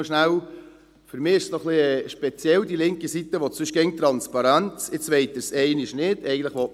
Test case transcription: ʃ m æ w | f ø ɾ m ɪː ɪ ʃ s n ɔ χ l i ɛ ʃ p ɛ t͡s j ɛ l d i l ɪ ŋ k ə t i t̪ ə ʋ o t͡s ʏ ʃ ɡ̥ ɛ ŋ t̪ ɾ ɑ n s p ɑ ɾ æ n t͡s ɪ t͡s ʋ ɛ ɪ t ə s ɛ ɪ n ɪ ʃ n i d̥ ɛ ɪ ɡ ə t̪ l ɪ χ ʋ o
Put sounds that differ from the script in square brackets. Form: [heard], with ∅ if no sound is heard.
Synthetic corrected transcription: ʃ [n] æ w | f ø ɾ m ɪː ɪ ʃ s n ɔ χ l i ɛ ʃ p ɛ t͡s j ɛ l d i l ɪ ŋ k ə [s] i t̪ ə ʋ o t͡s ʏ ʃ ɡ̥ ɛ ŋ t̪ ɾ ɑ n s p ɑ ɾ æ n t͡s ɪ t͡s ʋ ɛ ɪ t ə s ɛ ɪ n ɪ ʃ n [ɪ] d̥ ɛ ɪ ɡ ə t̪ l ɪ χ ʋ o

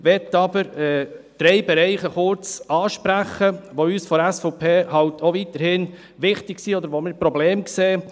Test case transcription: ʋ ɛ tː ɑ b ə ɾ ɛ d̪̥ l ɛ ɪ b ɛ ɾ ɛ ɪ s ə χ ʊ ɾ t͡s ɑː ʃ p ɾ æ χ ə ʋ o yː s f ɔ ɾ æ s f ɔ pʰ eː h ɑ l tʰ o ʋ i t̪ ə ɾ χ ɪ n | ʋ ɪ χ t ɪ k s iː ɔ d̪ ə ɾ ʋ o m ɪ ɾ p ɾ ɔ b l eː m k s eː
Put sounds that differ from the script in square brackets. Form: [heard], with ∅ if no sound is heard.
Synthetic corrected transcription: ʋ ɛ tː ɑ b ə ɾ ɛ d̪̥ [ɾ] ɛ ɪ b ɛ ɾ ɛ ɪ [χ] ə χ ʊ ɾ t͡s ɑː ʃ p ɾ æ χ ə ʋ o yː s f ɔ ɾ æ s f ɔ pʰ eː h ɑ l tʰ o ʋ i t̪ ə ɾ [h] ɪ n | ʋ ɪ χ t ɪ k s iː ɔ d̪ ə ɾ ʋ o m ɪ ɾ p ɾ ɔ b l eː m k s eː

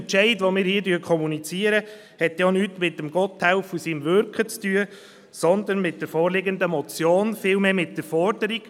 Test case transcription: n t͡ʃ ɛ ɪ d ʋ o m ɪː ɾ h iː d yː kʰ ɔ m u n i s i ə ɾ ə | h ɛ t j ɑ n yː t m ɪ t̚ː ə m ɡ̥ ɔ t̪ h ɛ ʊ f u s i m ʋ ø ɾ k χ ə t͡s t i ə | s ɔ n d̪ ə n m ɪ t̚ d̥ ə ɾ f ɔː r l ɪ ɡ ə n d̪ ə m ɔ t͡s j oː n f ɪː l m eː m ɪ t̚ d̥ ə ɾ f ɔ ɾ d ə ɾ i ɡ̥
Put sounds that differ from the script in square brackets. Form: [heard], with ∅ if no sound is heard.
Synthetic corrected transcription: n t͡ʃ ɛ ɪ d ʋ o m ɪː ɾ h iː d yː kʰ ɔ m u n i [t͡s] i ə ɾ ə | h ɛ t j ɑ n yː t m ɪ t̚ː ə m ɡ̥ ɔ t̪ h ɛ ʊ f u s i m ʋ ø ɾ k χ ə t͡s t [y] ə | s ɔ n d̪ ə n m ɪ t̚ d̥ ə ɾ f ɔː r l ɪ ɡ ə n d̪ ə m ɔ t͡s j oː n f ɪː l m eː m ɪ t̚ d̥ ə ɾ f ɔ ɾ d ə ɾ i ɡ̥

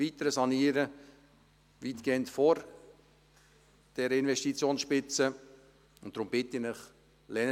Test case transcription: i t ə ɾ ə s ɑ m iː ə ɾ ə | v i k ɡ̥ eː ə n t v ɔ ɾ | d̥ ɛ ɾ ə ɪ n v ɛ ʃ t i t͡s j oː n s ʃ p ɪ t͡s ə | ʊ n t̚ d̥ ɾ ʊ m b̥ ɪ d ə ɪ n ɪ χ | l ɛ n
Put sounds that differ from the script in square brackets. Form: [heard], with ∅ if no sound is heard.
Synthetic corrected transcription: i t ə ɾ ə s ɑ [n] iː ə ɾ ə | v i [t] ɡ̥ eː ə n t [f] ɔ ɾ | d̥ ɛ ɾ ə ɪ n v ɛ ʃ t i t͡s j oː n s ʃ p ɪ t͡s ə | ʊ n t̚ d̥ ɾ ʊ m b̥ ɪ [t] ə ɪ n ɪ χ | l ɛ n

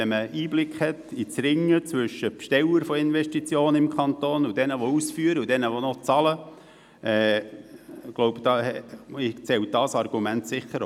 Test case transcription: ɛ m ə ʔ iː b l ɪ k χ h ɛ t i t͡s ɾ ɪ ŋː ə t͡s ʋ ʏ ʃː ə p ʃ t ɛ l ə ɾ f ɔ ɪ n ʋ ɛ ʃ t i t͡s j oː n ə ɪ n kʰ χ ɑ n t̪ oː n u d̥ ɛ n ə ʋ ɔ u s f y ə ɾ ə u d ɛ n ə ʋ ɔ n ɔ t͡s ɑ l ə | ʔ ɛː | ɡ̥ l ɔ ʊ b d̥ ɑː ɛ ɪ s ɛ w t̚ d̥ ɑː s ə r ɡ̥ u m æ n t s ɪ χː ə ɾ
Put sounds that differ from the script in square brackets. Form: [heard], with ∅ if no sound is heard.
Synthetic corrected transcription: ɛ m ə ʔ iː b l ɪ k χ h ɛ t i t͡s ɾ ɪ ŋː ə t͡s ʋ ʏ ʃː ə p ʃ t ɛ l ə ɾ f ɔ ɪ n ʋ ɛ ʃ t i t͡s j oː n ə ɪ [m] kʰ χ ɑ n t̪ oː n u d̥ ɛ n ə ʋ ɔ u s f y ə ɾ ə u d ɛ n ə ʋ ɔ n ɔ t͡s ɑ l ə | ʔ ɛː | ɡ̥ l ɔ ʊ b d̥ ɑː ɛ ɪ [t͡s] ɛ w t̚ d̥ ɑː s [ɑ] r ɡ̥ u m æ n t s ɪ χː ə ɾ

